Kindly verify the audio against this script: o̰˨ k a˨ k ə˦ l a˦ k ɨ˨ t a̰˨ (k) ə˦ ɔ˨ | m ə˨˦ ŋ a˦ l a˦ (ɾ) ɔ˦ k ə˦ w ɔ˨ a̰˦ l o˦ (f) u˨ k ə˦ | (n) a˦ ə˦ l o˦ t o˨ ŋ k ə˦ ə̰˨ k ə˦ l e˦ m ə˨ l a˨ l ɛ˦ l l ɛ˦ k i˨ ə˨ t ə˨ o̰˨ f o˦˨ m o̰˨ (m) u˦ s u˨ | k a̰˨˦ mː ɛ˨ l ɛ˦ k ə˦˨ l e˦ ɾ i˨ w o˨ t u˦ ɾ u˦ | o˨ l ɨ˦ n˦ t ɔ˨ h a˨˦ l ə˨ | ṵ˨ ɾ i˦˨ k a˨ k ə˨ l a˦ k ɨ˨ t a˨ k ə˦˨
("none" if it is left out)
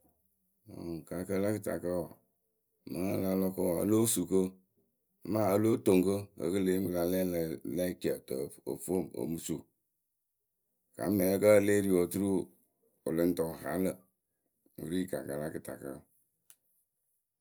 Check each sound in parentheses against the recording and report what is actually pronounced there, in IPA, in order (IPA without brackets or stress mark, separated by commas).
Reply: k, l, s, m, m